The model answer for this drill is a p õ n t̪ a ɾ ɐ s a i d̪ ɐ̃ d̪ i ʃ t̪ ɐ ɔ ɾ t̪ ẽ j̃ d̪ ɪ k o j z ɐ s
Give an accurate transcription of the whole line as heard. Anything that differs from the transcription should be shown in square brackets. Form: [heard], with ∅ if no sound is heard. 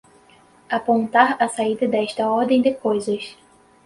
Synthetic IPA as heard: a p õ n t̪ a ɾ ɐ s a i d̪ [ɐ] d̪ [ɛ] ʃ t̪ ɐ ɔ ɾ [d̪] ẽ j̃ d̪ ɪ k o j z ɐ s

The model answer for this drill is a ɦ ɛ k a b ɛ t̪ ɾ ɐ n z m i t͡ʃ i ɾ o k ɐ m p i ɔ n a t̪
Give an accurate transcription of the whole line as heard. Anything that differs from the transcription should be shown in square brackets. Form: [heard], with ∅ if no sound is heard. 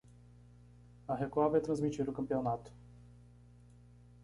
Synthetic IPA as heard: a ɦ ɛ k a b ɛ t̪ ɾ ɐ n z m i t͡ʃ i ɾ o k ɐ m p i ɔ n a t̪

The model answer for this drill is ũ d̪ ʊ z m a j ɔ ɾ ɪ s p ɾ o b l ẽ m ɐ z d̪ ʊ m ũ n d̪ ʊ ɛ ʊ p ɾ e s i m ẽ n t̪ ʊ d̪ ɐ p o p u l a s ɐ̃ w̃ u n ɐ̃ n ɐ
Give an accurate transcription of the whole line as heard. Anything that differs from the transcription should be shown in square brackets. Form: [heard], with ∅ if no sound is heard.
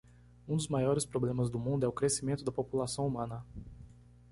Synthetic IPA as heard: ũ d̪ ʊ z m a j ɔ ɾ ɪ s p ɾ o b l ẽ m ɐ z d̪ ʊ m ũ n d̪ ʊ ɛ ʊ [k] ɾ e s i m ẽ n t̪ ʊ d̪ ɐ p o p u l a s ɐ̃ w̃ u [m] ɐ̃ n ɐ

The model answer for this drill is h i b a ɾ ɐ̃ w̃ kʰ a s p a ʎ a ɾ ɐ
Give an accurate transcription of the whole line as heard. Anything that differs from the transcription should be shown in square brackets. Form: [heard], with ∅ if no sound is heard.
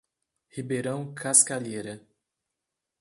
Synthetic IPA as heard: h i b [e] ɾ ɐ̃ w̃ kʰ a s [k] a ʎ [e] ɾ ɐ

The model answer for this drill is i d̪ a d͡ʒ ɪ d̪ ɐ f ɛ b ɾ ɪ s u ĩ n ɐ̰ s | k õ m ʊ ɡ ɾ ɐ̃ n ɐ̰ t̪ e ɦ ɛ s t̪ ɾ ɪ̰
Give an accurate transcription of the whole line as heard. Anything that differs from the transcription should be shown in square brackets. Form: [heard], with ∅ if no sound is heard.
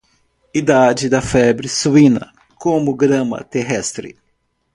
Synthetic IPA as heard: i d̪ a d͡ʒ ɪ d̪ ɐ f ɛ b ɾ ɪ s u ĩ n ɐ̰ [∅] | k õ m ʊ ɡ ɾ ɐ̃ [m] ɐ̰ t̪ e ɦ ɛ s t̪ ɾ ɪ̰

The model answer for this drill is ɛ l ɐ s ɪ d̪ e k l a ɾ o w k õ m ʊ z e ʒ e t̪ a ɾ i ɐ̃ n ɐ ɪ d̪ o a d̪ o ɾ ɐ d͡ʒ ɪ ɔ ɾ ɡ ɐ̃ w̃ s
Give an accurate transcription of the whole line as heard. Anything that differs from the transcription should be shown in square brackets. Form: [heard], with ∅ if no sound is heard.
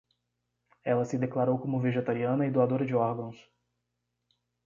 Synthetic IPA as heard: ɛ l ɐ s ɪ d̪ e k l a ɾ o w k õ m ʊ [v] e ʒ e t̪ a ɾ i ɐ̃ n ɐ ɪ d̪ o a d̪ o ɾ ɐ d͡ʒ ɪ ɔ ɾ ɡ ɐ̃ w̃ s

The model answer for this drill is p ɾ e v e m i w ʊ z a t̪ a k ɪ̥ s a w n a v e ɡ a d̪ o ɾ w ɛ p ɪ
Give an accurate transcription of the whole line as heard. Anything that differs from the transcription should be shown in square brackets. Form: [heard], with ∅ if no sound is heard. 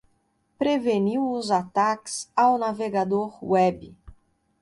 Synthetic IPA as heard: p ɾ e v e [n] i w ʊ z a t̪ a k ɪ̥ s a w n a v e ɡ a d̪ o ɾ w ɛ [b] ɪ

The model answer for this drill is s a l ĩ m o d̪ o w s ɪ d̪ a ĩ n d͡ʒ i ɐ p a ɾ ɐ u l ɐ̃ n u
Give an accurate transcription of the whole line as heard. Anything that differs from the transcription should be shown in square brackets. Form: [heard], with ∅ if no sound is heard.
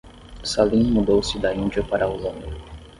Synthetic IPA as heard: s a l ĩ m [u] d̪ o w s ɪ d̪ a ĩ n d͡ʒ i ɐ p a ɾ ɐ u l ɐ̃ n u

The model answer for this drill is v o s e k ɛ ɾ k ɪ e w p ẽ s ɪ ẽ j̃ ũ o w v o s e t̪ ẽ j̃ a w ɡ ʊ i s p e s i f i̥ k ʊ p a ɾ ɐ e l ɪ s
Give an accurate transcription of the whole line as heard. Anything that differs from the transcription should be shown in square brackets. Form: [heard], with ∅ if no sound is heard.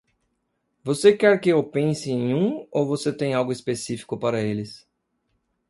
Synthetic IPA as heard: v o s e k ɛ ɾ k ɪ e w p ẽ s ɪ ẽ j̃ ũ o w v o s e t̪ ẽ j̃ a w ɡ ʊ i s p e s i f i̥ k ʊ p a ɾ ɐ e l ɪ s

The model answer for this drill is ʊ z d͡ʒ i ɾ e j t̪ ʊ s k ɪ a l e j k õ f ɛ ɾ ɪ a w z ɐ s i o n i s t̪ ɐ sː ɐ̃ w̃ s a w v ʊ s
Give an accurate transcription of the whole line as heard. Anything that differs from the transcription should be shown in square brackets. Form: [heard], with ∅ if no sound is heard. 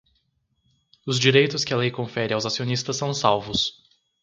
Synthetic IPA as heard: ʊ z d͡ʒ i ɾ e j t̪ ʊ s k ɪ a l e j k õ f ɛ ɾ ɪ a w z [a] s i o n i s t̪ ɐ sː ɐ̃ w̃ s a w v ʊ s

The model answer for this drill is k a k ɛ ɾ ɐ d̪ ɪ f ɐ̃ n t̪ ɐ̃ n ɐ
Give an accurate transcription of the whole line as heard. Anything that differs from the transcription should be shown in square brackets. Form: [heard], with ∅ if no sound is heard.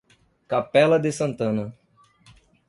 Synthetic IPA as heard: k a [p] ɛ [l] ɐ d̪ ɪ [s] ɐ̃ n t̪ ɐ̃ n ɐ

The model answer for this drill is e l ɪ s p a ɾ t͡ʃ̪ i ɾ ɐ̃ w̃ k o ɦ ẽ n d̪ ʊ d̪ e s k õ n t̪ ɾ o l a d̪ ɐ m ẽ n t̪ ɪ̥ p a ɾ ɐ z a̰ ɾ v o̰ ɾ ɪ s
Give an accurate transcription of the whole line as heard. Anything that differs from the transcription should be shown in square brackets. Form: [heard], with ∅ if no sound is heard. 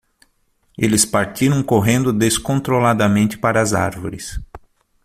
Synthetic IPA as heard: e l ɪ s p a ɾ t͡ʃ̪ i ɾ ɐ̃ w̃ k o ɦ ẽ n d̪ ʊ d̪ e s k õ n t̪ ɾ o l a d̪ ɐ m ẽ n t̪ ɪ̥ p a ɾ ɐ z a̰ ɾ v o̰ ɾ ɪ s

